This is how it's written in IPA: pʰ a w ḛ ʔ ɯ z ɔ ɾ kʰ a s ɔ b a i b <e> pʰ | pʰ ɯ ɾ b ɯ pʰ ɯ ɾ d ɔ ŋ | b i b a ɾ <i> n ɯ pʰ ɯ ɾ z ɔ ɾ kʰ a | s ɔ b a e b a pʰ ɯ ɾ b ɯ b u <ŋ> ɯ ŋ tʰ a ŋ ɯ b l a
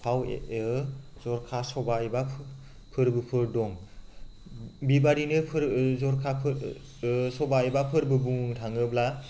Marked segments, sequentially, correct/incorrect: incorrect, correct, correct

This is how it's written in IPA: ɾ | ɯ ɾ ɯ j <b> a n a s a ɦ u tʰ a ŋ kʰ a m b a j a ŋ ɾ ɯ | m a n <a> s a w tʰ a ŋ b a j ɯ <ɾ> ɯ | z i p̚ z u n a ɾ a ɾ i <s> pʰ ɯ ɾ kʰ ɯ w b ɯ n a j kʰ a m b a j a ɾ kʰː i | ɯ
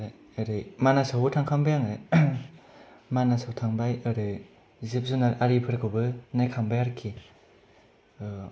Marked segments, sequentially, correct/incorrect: incorrect, correct, correct, incorrect

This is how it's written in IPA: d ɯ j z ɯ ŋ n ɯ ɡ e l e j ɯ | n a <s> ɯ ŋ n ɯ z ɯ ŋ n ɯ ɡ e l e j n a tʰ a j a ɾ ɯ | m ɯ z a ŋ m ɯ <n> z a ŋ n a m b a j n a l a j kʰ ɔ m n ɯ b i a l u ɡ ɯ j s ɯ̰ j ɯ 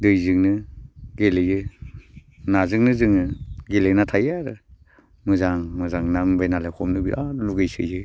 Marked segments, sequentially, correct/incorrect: incorrect, incorrect

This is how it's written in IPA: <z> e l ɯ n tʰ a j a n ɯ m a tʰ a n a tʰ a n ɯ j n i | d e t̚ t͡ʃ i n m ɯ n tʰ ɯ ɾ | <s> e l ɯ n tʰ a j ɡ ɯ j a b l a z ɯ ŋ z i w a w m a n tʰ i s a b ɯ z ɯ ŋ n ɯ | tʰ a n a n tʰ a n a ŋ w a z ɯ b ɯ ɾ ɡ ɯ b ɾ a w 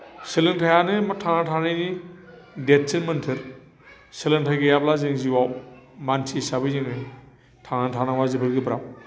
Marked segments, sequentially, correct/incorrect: incorrect, correct

